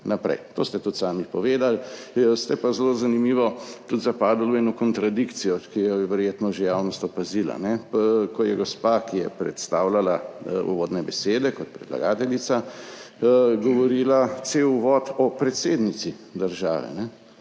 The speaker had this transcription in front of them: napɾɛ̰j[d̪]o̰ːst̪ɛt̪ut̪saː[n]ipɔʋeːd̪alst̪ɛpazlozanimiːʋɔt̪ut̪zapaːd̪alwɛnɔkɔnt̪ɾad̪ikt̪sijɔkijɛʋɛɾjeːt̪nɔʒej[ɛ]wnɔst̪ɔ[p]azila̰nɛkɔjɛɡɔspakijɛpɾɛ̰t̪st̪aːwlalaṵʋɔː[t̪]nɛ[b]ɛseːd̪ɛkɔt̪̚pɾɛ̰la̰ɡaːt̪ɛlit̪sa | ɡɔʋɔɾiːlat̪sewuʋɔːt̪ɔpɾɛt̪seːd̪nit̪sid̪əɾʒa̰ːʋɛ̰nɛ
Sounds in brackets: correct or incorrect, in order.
incorrect: t̪, incorrect: m, incorrect: a, correct, incorrect: d̪, correct

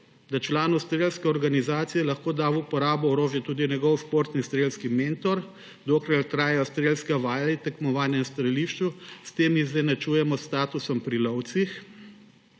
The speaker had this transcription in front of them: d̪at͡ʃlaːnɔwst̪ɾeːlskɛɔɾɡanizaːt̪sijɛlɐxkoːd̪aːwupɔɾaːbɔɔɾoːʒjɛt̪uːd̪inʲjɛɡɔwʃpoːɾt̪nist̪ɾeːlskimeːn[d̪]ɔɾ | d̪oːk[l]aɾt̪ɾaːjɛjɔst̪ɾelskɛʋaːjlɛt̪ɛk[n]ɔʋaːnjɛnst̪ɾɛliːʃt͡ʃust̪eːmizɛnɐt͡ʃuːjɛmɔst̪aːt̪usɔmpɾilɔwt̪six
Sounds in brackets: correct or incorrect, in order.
incorrect: t̪, incorrect: ɾ, incorrect: m

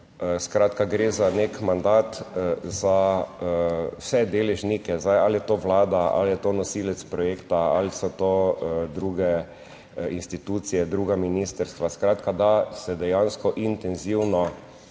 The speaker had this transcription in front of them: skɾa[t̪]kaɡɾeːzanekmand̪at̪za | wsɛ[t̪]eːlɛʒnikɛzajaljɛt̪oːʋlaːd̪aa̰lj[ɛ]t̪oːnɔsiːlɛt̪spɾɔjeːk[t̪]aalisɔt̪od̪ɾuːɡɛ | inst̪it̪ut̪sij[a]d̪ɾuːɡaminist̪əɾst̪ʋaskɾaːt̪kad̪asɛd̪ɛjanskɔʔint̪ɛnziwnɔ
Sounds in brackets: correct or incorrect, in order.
correct, incorrect: d̪, correct, correct, incorrect: ɛ

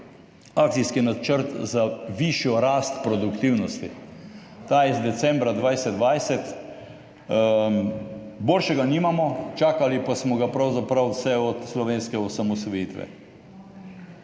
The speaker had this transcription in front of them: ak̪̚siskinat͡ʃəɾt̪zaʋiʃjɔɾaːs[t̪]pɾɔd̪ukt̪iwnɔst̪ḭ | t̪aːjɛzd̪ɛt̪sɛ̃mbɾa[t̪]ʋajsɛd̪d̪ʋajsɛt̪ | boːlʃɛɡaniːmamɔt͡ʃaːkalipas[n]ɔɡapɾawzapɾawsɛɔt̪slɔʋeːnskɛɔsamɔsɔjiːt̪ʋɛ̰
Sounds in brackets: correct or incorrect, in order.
correct, incorrect: d̪, incorrect: m

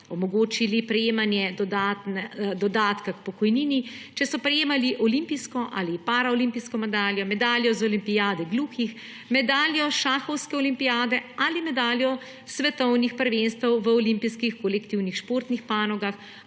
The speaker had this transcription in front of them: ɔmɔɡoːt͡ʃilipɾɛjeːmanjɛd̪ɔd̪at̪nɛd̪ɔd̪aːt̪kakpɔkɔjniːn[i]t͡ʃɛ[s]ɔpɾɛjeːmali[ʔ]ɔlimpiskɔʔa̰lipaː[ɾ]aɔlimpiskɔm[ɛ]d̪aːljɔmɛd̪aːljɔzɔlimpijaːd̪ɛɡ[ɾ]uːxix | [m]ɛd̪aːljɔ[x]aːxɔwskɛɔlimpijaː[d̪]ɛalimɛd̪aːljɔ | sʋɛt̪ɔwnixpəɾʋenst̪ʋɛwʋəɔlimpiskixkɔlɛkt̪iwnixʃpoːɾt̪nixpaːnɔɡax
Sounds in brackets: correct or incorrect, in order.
correct, correct, correct, correct, correct, incorrect: l, correct, incorrect: ʃ, correct

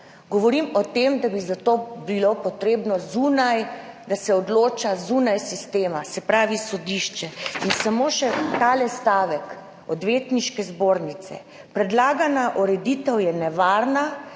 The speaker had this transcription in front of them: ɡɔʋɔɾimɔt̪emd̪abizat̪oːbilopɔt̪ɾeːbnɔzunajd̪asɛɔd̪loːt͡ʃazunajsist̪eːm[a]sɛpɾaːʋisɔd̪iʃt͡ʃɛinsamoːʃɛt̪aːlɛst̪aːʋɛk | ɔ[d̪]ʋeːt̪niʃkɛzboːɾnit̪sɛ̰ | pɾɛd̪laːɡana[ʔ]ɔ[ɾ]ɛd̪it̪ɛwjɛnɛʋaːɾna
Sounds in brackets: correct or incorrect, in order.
correct, correct, correct, correct

